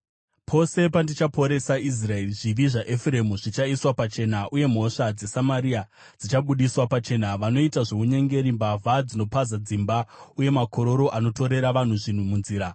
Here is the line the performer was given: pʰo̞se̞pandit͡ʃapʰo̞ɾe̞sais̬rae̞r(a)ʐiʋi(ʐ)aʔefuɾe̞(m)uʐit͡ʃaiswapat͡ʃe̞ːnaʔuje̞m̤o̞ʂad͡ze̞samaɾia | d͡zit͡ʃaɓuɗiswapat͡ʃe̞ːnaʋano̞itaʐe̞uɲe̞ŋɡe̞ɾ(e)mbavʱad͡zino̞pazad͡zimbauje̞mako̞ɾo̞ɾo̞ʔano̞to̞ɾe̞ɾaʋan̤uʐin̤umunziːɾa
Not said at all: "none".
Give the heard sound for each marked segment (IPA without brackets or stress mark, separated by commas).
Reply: i, ʐ, m, i